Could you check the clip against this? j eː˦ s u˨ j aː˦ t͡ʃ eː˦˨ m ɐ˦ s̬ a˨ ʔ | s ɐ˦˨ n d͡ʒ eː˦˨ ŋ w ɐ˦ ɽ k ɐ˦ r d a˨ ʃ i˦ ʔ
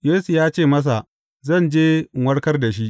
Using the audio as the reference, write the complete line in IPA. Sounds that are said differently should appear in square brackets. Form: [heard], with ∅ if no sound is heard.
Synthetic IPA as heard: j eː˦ s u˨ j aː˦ t͡ʃ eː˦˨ m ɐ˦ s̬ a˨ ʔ | [z] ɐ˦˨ n d͡ʒ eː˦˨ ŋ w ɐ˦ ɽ k ɐ˦ r d a˨ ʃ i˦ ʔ